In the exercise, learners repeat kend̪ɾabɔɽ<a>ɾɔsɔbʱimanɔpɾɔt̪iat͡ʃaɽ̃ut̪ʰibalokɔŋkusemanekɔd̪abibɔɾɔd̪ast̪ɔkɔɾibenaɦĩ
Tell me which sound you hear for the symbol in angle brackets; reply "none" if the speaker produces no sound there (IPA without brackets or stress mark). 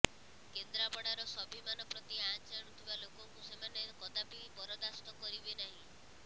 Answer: a